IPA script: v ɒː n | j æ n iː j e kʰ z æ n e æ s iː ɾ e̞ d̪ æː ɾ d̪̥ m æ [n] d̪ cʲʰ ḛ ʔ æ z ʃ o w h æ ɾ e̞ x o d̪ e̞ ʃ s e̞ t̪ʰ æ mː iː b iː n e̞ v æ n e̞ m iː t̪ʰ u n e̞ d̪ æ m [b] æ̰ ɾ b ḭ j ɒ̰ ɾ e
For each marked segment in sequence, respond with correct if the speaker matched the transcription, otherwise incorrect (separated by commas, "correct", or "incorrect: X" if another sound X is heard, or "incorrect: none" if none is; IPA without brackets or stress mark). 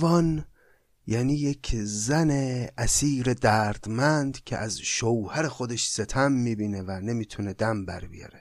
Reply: correct, correct